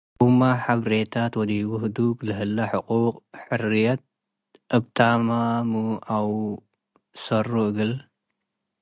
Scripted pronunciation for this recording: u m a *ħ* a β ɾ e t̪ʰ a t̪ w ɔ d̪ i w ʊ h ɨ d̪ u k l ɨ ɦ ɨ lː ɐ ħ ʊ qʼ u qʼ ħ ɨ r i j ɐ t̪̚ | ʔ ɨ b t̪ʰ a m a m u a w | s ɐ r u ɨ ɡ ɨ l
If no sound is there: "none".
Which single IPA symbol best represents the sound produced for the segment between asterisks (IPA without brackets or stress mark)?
ħ